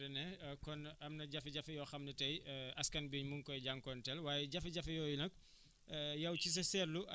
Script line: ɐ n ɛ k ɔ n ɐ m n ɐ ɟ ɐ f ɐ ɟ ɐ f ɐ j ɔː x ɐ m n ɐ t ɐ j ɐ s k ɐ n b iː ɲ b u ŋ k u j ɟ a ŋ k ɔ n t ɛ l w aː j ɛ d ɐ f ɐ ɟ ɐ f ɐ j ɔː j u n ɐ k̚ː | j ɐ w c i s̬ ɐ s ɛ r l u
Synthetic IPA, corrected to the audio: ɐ n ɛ k ɔ n ɐ m n ɐ ɟ ɐ f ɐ ɟ ɐ f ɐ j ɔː x ɐ m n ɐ t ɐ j ɐ s k ɐ n b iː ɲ m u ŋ k ɔ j ɟ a ŋ k ɔ n t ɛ l w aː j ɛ ɟ ɐ f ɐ ɟ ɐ f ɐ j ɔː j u n ɐ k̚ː | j ɐ w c i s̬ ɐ s ɛ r l u